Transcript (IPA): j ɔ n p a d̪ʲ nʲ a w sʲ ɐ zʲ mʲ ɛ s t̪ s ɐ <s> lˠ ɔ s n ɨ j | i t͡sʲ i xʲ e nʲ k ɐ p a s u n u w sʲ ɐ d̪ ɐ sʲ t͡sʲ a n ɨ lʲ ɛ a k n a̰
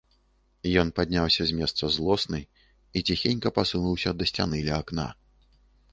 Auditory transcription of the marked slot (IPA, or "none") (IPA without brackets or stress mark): z